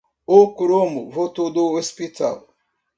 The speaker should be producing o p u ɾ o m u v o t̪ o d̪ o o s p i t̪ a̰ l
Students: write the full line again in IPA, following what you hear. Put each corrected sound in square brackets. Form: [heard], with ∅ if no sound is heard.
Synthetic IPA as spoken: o [k] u ɾ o m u v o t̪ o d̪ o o s p i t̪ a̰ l